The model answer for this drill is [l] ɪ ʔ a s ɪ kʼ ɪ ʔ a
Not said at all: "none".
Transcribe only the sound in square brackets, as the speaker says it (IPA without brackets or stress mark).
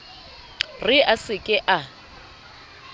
r